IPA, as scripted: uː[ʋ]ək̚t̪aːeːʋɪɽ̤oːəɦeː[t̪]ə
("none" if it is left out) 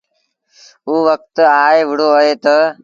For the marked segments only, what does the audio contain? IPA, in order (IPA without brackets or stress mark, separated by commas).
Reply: ʋ, t̪